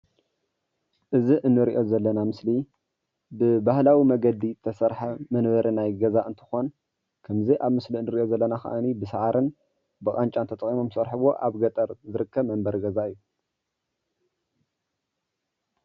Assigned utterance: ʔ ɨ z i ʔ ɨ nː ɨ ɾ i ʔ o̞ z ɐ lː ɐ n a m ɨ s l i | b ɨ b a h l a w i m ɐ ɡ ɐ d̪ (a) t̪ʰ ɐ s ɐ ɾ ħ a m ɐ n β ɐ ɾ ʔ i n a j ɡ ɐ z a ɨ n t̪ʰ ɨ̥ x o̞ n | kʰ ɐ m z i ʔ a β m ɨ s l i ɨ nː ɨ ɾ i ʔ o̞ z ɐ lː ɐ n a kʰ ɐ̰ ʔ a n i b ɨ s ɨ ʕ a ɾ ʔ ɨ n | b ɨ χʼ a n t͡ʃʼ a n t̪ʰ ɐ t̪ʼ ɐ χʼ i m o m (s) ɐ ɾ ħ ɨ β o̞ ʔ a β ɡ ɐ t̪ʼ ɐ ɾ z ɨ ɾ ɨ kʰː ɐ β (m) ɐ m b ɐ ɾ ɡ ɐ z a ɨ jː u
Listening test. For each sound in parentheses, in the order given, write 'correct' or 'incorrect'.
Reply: incorrect: i, correct, correct

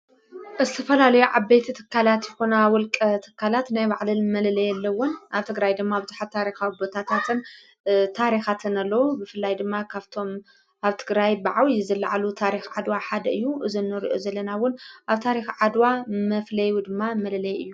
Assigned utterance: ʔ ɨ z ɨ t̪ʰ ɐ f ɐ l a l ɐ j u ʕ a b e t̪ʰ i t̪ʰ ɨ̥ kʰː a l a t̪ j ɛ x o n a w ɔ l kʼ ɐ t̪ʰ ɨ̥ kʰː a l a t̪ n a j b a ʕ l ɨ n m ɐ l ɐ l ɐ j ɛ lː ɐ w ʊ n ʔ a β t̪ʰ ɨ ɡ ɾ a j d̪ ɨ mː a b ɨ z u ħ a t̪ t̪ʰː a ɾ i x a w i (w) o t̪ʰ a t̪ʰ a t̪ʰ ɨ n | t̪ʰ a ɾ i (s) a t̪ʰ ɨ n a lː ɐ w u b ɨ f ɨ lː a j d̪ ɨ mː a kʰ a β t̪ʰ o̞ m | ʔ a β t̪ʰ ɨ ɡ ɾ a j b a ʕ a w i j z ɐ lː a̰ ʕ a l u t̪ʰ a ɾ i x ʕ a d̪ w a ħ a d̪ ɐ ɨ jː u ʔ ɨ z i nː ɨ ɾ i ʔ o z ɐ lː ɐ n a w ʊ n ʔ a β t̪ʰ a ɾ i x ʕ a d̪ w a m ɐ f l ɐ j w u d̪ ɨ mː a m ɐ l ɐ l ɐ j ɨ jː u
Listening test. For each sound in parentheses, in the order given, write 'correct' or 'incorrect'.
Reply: incorrect: b, incorrect: x

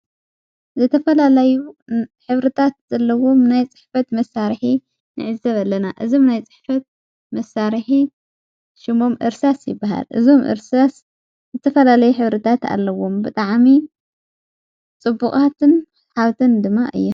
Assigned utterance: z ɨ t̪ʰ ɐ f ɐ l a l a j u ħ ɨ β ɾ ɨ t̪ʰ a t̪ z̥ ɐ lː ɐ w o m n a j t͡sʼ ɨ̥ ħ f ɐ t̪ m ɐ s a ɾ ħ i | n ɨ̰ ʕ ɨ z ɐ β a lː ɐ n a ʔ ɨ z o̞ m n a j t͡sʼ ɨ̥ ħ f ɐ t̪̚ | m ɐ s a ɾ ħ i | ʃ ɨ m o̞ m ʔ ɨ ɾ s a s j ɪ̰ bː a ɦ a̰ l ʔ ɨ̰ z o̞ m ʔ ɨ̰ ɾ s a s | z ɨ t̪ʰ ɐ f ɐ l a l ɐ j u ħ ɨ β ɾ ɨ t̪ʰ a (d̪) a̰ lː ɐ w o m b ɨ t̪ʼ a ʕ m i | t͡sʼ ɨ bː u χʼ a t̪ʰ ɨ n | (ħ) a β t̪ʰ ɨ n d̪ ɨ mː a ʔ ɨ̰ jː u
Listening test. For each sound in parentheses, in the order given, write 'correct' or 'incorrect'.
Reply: incorrect: t̪, correct

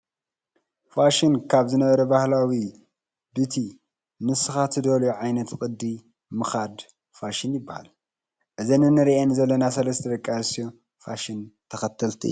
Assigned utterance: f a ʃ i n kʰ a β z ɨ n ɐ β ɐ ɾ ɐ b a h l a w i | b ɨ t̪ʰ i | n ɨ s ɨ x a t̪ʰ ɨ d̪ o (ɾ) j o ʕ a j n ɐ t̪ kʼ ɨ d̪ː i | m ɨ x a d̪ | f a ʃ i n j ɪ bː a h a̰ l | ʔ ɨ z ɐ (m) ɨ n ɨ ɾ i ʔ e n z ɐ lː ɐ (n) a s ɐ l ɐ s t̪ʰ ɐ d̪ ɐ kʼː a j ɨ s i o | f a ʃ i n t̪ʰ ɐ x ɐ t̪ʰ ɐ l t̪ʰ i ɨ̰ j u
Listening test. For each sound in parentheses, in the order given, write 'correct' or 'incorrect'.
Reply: incorrect: l, incorrect: n, correct

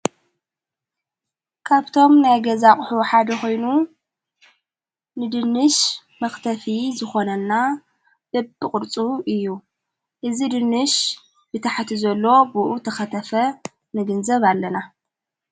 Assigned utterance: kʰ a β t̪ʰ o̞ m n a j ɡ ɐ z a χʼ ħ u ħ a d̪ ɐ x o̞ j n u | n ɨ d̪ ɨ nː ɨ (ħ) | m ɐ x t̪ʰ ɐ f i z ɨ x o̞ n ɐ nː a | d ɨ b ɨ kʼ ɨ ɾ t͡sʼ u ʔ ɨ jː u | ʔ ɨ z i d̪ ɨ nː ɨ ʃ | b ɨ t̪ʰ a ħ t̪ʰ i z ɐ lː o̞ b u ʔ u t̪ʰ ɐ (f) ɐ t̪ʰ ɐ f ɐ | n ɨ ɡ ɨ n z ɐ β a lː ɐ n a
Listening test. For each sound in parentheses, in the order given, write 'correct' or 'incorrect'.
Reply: incorrect: ʃ, incorrect: x

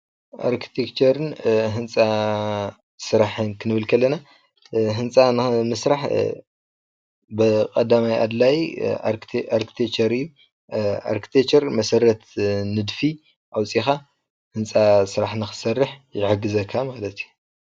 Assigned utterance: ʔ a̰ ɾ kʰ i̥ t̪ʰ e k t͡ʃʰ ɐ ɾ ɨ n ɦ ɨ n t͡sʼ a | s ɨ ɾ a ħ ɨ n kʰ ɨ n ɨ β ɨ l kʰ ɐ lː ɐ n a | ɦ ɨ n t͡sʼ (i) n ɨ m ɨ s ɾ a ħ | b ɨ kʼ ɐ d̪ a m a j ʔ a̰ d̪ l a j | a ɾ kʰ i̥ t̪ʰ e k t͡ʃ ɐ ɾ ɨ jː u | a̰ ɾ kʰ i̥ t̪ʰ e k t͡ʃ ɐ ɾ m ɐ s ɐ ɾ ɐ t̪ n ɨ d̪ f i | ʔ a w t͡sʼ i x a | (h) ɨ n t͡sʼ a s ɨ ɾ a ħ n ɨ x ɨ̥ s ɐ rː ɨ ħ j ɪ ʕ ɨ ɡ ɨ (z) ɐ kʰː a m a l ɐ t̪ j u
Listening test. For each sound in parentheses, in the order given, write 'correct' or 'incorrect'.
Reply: incorrect: a, correct, correct

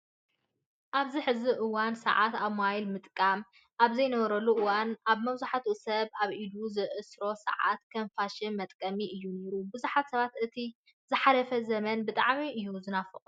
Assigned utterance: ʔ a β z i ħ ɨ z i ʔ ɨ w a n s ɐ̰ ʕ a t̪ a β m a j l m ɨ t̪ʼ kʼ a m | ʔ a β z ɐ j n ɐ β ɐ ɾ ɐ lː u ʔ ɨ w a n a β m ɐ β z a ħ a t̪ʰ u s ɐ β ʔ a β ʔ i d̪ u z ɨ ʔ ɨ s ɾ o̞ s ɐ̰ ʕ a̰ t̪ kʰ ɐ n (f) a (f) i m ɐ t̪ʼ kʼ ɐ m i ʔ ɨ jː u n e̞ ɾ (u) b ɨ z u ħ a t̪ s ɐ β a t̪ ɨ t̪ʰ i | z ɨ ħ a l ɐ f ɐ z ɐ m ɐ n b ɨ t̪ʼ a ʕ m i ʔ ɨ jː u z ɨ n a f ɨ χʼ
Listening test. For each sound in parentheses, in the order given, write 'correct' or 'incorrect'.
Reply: correct, incorrect: ʃ, correct

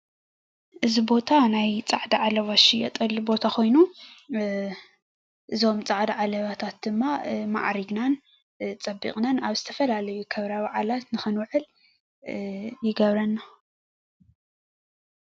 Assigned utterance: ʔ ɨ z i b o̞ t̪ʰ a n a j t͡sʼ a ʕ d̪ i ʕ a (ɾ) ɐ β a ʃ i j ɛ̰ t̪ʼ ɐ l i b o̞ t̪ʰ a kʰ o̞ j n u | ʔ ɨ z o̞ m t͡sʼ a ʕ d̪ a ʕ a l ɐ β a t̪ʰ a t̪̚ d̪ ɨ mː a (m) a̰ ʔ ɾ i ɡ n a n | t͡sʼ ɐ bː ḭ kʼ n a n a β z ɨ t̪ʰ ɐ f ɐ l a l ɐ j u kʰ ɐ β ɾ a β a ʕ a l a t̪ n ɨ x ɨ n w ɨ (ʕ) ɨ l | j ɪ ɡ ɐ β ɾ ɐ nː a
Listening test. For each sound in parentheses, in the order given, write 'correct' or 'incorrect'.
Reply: incorrect: l, correct, correct

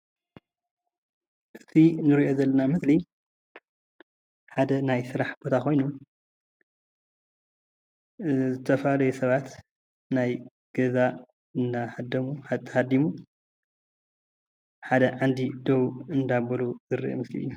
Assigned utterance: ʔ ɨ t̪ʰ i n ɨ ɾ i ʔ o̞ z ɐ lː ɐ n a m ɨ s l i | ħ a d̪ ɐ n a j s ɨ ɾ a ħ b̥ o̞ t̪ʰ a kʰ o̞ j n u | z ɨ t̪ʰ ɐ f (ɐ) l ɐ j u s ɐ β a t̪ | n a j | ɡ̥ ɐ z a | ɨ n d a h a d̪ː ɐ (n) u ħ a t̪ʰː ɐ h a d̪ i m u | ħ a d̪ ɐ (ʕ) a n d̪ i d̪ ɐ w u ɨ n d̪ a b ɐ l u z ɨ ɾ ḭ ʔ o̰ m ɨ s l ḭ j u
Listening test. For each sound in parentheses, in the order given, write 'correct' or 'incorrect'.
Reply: incorrect: a, incorrect: m, correct

